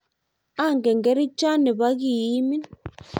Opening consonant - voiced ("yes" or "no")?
yes